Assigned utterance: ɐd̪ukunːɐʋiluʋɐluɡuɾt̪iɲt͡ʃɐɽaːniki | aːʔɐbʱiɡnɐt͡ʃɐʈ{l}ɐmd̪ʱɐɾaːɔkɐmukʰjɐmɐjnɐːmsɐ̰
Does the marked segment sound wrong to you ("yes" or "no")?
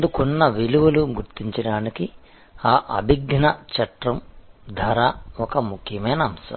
yes